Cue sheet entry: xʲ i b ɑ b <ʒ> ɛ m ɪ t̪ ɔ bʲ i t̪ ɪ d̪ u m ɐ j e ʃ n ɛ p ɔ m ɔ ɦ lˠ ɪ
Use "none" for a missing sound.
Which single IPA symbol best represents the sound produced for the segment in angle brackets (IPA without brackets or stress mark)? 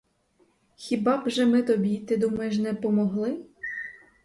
ʒ